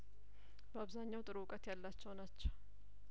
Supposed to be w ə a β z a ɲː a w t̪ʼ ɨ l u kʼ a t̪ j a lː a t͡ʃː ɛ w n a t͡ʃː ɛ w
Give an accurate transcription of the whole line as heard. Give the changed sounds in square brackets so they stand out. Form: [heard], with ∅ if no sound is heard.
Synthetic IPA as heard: [b] ə a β z a ɲː a w t̪ʼ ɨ [ɾ] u kʼ [ə] t̪ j a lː a t͡ʃː ɛ w n a t͡ʃː ɛ w